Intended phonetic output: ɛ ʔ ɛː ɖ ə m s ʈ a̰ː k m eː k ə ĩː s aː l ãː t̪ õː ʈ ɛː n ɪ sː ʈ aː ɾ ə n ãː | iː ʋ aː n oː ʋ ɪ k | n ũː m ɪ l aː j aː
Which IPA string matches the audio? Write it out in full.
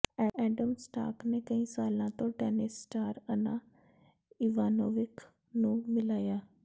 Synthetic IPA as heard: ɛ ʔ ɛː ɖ ə m s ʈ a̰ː k n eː k ə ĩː s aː l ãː t̪ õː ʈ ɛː n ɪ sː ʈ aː ɾ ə n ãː | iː ʋ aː n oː ʋ ɪ k | n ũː m ɪ l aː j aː